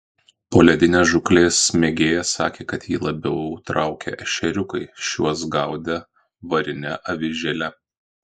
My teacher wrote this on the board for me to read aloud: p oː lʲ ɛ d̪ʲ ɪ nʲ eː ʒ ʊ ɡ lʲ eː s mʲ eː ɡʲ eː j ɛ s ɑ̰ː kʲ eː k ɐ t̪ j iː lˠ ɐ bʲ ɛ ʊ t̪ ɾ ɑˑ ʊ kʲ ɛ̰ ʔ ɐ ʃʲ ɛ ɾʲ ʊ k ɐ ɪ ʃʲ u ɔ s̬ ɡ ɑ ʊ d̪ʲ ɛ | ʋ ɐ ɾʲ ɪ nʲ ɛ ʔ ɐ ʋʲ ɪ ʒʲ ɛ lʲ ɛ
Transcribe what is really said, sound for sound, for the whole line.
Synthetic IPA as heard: p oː lʲ ɛ d̪ʲ ɪ nʲ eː ʒ ʊ k lʲ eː s mʲ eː ɡʲ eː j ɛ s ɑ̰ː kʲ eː k ɐ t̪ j iː lˠ ɐ bʲ ɛ ʊ t̪ ɾ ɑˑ ʊ kʲ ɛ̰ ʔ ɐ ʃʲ ɛ ɾʲ ʊ k ɐ ɪ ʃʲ u ɔ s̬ ɡ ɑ ʊ d̪ʲ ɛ | ʋ ɐ ɾʲ ɪ nʲ ɛ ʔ ɐ ʋʲ ɪ ʒʲ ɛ lʲ ɛ